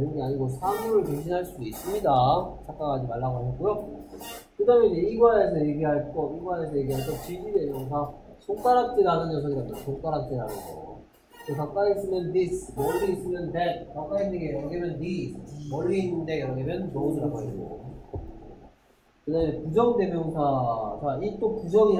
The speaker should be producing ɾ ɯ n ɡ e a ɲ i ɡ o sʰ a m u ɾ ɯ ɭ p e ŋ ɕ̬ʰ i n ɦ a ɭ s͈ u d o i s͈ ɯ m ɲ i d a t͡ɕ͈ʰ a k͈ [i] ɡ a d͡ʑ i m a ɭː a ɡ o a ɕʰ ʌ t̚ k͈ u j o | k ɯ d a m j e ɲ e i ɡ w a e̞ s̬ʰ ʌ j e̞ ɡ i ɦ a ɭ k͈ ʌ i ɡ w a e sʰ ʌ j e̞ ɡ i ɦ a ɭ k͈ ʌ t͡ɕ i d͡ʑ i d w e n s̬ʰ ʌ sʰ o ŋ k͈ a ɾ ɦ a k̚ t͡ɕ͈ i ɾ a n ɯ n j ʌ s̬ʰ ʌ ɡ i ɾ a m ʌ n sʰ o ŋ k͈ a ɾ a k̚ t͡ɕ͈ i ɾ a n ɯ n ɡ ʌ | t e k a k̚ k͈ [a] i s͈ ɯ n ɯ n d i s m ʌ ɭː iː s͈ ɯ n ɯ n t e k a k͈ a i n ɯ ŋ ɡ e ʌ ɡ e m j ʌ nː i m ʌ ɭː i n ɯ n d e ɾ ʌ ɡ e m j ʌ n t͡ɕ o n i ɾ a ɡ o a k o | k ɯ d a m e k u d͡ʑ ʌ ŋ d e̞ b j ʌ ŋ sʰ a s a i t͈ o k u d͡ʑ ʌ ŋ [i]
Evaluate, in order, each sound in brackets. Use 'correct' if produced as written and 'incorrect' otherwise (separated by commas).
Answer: incorrect, correct, correct